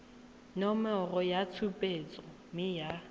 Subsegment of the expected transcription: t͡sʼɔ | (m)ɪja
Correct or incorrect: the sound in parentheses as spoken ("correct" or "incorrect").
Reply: correct